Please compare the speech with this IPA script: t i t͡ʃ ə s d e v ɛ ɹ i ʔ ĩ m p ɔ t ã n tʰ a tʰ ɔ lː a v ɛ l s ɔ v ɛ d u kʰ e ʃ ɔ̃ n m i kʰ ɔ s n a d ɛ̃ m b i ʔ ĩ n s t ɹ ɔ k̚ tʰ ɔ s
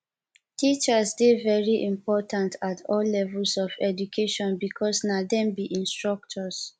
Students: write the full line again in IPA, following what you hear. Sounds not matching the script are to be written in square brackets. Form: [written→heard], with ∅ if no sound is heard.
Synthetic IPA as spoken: t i t͡ʃ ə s d e v ɛ ɹ i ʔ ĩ m p ɔ t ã n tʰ a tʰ ɔ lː [a→ɛ] v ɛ l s ɔ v ɛ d u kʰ e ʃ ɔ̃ n [m→b] i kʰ ɔ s n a d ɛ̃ m b i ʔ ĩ n s t ɹ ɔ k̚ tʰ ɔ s